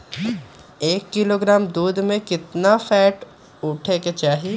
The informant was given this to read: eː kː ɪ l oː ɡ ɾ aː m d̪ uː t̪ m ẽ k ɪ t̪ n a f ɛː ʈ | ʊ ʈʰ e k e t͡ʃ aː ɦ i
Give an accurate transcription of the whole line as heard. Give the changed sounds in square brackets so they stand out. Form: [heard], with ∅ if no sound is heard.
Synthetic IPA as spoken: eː kː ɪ l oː ɡ ɾ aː m d̪ uː [d̪] m ẽ k ɪ t̪ n a f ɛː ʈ | ʊ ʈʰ e k e t͡ʃ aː ɦ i